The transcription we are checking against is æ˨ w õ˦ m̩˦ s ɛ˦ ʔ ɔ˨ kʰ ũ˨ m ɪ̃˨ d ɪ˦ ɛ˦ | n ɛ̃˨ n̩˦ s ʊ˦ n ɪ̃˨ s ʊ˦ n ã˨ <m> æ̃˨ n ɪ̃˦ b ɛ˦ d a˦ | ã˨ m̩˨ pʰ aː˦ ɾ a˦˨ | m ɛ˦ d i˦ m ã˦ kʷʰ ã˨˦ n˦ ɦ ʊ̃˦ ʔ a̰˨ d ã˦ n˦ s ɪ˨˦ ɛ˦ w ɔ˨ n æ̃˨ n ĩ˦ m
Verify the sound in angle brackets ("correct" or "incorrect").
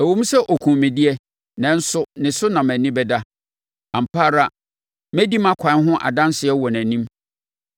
correct